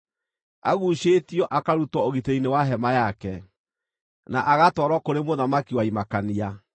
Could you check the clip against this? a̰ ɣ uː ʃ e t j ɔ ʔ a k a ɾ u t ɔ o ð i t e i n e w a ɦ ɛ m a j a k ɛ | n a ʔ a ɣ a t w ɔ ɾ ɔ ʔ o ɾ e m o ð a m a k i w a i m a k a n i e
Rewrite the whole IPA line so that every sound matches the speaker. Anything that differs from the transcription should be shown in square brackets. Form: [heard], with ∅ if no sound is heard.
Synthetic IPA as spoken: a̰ ɣ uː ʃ e t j ɔ ʔ a k a ɾ u t ɔ o [ɣ] i t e i n e w a ɦ ɛ m a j a k ɛ | n a ʔ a ɣ a t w ɔ ɾ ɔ [k] o ɾ e m o ð a m a k i w a i m a k a n i [a]